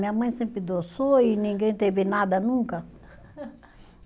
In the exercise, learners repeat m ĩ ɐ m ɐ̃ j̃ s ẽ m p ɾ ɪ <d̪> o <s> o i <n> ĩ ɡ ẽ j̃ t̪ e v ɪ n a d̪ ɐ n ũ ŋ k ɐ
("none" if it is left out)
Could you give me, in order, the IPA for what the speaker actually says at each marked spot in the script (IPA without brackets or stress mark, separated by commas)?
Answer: d̪, s, n